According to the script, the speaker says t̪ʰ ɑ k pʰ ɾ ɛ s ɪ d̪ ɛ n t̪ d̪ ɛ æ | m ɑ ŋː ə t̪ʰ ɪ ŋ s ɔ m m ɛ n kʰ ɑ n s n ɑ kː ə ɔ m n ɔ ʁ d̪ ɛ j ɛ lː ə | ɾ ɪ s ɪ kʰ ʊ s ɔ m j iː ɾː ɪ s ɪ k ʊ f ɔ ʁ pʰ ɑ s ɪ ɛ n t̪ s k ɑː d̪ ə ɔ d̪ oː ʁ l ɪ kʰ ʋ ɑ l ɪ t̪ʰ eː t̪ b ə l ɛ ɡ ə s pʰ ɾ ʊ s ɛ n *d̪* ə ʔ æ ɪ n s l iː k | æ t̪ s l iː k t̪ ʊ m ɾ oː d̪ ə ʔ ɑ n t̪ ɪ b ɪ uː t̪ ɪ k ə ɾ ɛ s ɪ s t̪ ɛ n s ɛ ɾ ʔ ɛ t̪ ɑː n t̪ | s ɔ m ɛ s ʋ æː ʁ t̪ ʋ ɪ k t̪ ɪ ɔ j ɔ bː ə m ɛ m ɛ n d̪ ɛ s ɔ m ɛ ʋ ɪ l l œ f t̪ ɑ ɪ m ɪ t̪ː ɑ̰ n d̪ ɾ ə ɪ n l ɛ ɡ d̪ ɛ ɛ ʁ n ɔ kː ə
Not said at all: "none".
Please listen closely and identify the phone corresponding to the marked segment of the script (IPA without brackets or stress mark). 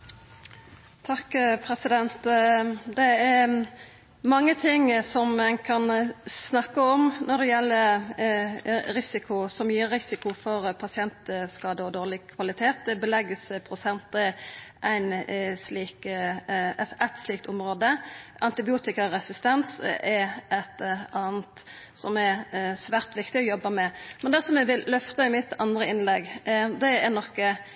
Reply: t̪